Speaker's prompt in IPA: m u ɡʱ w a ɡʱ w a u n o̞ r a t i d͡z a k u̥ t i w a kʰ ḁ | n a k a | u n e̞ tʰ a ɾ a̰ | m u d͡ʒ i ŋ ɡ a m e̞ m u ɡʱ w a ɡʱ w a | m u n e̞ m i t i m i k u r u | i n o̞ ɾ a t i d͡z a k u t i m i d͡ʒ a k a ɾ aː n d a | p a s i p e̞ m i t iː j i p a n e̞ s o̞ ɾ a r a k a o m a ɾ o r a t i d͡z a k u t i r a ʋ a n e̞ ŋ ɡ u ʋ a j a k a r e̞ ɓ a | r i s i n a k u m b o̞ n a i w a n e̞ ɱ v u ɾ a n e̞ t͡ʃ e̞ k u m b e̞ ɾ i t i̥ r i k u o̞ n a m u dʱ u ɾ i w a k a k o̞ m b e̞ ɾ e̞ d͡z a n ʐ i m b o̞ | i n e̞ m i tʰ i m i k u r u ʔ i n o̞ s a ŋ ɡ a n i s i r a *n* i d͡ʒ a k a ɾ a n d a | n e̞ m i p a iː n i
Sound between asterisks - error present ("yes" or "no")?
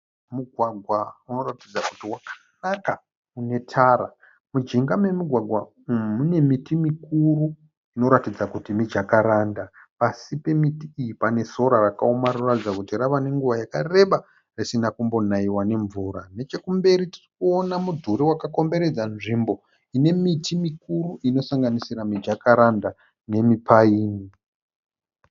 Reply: yes